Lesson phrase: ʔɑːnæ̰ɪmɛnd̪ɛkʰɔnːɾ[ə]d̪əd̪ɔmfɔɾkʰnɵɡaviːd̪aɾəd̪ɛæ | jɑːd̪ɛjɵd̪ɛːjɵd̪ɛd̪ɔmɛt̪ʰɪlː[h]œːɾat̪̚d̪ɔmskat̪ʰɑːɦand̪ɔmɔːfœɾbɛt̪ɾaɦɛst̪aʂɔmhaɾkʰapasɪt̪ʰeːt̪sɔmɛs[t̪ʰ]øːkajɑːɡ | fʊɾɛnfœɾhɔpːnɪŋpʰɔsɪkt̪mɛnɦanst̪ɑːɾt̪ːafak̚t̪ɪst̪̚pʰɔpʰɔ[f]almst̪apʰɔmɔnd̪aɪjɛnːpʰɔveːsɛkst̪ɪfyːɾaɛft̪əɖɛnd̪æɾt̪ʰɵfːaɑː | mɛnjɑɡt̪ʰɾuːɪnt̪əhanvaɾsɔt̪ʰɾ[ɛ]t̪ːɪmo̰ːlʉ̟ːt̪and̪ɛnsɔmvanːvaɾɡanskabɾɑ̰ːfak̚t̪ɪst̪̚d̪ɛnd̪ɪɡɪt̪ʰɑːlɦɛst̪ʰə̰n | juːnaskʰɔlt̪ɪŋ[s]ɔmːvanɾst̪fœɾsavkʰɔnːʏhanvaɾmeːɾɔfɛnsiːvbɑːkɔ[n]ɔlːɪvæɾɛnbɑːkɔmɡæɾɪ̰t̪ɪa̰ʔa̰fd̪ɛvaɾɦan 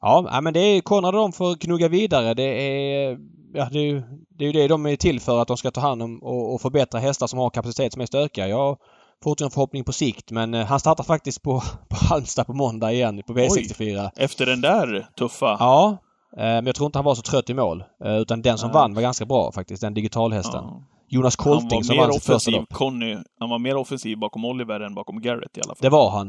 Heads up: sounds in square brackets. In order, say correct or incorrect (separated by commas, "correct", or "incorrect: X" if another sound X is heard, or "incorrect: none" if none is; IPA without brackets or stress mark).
incorrect: a, incorrect: f, incorrect: t̪, incorrect: h, incorrect: œ, correct, incorrect: m